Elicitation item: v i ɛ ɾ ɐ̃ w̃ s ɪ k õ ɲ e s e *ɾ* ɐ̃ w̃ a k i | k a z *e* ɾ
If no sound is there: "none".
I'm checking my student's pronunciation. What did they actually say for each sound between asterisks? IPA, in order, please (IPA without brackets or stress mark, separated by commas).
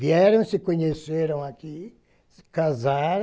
ɾ, a